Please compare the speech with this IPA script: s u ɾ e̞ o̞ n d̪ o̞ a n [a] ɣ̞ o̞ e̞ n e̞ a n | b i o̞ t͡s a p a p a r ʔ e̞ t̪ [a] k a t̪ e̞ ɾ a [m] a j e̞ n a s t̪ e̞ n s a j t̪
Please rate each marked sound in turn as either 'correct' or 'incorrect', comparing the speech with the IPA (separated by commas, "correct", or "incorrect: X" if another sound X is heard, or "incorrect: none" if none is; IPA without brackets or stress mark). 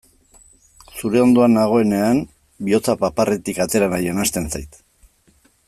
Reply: correct, incorrect: i, incorrect: n